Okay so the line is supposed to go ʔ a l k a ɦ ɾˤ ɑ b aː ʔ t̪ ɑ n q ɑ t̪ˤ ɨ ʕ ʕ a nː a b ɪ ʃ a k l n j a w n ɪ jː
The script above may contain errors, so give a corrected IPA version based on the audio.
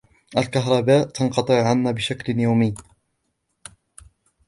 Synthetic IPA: ʔ a l k a ɦ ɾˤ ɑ b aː ʔ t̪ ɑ n q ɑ t̪ˤ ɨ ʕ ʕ a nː a b ɪ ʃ a k l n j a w m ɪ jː